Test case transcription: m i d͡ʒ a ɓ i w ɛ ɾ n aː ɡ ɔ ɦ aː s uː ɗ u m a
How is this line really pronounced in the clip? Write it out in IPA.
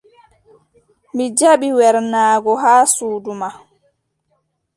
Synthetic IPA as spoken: m i d͡ʒ a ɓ i w ɛ ɾ n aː ɡ ɔ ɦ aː s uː d u m a